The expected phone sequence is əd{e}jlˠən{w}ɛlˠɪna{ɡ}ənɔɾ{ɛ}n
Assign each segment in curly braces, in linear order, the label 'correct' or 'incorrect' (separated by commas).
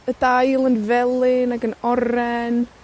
incorrect, incorrect, correct, correct